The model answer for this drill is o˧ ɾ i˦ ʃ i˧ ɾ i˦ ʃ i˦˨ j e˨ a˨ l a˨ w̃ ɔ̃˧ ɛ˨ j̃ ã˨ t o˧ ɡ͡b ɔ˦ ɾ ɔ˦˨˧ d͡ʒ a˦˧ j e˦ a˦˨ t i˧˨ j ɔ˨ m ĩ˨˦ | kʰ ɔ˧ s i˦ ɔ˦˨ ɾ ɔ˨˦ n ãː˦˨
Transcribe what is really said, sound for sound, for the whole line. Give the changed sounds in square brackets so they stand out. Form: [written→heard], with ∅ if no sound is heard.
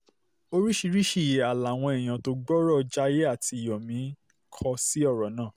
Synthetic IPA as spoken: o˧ ɾ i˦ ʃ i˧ ɾ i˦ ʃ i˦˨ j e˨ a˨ l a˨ w̃ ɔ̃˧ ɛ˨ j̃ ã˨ t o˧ ɡ͡b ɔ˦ ɾ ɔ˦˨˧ d͡ʒ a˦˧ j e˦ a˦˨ t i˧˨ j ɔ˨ m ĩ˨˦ | kʰ ɔ˧ s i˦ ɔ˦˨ ɾ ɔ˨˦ n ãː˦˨